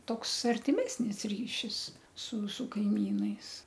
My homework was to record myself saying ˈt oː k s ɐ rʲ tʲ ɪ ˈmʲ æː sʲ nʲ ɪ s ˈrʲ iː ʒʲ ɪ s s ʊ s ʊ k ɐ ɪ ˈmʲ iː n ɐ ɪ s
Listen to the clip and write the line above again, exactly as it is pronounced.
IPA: ˈt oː k s ɐ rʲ tʲ ɪ ˈmʲ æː sʲ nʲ ɪ s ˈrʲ iː ʃʲ ɪ s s ʊ s ʊ k ɐ ɪ ˈmʲ iː n ɐ ɪ s